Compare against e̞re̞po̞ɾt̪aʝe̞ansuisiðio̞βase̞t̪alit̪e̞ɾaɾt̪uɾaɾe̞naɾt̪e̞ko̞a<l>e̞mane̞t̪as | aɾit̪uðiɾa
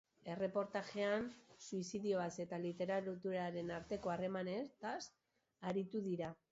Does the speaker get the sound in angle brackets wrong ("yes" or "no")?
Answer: yes